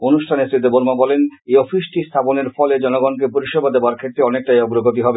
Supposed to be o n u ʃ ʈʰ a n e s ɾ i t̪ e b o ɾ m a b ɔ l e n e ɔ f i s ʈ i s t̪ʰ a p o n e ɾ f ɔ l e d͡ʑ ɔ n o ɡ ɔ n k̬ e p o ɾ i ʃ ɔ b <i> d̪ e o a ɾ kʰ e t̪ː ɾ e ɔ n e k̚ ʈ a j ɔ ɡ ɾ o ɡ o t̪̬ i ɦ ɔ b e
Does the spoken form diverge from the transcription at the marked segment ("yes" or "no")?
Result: yes